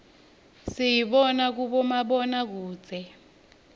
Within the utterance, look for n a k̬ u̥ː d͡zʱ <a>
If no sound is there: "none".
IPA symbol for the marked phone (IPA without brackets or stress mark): ɛ